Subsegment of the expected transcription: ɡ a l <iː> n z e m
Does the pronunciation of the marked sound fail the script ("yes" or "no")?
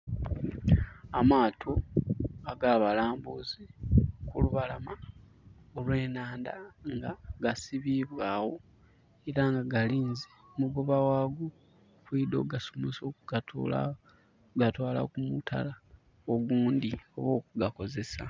no